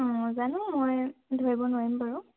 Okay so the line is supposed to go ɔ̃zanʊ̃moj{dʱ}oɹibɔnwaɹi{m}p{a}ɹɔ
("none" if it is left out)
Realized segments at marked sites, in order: dʱ, m, a

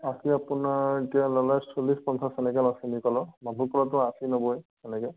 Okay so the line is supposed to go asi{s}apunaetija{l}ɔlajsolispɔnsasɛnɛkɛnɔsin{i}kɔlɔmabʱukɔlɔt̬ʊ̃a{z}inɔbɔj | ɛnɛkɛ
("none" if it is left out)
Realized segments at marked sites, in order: none, l, i, s

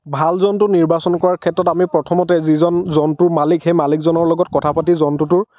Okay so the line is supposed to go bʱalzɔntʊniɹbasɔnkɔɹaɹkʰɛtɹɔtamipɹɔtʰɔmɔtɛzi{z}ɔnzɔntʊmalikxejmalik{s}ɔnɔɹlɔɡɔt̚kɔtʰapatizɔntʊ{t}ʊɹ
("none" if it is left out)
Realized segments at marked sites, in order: z, z, t

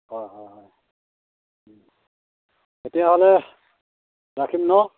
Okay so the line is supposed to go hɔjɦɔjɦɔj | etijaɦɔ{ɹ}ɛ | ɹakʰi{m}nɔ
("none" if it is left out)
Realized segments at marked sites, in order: l, m

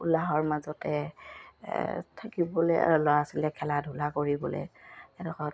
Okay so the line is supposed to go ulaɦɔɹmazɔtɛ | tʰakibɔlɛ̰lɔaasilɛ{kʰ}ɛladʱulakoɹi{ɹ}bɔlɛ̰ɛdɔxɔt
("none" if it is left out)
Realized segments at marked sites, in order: kʰ, none

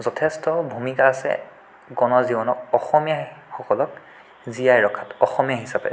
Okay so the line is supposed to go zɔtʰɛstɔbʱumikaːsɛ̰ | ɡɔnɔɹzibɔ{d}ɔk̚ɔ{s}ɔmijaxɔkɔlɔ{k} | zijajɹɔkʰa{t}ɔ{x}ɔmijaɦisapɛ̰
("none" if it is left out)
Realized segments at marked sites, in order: n, x, k, t, x

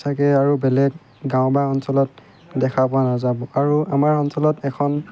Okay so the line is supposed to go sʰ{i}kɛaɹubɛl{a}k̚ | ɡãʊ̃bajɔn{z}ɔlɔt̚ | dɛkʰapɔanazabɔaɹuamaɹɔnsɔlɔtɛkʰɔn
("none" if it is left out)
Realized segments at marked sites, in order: a, ɛ, s

